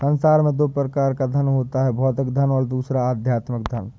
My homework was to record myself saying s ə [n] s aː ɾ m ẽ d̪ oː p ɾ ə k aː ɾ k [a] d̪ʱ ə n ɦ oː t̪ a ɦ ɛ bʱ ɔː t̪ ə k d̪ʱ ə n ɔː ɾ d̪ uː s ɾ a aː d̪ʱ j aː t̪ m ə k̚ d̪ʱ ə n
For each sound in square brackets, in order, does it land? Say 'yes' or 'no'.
yes, yes

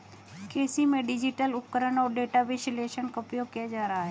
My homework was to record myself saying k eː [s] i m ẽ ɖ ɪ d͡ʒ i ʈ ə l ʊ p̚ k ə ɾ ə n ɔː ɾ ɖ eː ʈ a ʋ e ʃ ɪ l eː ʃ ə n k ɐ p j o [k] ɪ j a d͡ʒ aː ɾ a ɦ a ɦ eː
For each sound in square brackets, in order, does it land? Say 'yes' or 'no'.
yes, yes

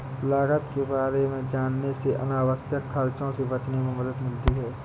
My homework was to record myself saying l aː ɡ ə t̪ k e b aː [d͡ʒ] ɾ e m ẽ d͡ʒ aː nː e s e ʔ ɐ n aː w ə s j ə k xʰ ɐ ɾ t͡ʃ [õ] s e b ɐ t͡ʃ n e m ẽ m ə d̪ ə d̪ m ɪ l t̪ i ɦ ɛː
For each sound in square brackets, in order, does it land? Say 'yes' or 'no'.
no, yes

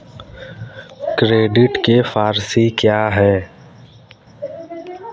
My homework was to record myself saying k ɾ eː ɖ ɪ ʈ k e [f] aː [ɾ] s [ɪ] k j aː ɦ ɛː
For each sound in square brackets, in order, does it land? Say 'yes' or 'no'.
yes, yes, no

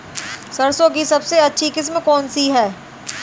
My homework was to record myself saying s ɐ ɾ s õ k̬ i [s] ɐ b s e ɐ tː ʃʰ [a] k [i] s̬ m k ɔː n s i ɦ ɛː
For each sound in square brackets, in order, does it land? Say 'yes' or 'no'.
yes, no, no

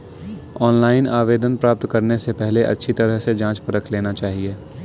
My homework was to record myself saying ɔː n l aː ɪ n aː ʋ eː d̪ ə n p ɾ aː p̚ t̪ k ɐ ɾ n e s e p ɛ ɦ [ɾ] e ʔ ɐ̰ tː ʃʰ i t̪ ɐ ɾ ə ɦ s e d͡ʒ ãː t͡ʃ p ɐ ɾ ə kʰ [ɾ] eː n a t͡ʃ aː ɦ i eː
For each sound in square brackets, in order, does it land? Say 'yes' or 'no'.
no, no

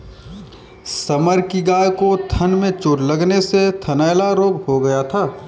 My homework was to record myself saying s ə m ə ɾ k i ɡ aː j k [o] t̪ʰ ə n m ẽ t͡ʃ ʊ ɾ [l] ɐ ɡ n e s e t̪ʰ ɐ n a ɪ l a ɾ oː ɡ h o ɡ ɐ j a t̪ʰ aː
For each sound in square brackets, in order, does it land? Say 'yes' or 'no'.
yes, yes

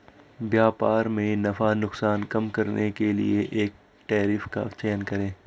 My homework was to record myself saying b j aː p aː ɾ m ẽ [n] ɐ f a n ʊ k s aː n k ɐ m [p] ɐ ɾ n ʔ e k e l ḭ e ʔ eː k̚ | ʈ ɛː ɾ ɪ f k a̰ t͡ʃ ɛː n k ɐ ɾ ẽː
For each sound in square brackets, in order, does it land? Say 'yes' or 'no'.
yes, no

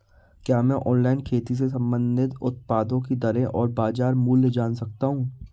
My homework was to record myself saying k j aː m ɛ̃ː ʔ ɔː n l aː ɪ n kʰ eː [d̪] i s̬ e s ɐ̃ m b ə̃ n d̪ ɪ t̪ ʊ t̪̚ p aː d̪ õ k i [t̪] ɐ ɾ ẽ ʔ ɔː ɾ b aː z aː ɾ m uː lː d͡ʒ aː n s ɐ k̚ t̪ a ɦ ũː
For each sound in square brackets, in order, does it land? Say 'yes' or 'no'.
no, no

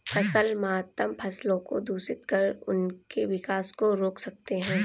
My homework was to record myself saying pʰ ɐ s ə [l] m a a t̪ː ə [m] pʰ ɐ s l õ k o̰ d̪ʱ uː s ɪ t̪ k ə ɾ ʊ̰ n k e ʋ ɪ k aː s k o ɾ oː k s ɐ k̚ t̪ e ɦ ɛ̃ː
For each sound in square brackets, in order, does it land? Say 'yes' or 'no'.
yes, yes

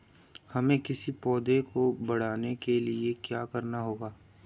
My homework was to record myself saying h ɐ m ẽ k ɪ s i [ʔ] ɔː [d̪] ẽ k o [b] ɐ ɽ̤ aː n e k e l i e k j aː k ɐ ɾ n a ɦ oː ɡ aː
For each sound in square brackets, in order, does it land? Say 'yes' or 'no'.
no, yes, yes

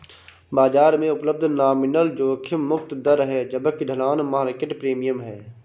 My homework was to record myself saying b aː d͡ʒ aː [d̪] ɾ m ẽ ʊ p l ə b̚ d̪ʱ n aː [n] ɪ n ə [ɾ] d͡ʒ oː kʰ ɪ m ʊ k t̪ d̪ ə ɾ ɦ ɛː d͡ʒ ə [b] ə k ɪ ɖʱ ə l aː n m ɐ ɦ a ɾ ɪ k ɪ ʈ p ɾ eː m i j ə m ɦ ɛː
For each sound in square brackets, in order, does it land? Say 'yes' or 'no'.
no, no, no, yes

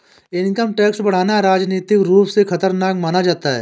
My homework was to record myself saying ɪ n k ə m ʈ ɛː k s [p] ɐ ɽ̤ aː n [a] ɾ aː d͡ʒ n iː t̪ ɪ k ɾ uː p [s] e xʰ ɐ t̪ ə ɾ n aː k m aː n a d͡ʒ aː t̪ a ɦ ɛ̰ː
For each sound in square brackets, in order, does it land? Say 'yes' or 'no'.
no, yes, yes

